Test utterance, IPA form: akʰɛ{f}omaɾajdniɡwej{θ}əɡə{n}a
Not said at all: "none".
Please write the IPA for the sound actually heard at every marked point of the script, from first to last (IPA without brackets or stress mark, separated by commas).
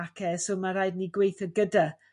s, θ, d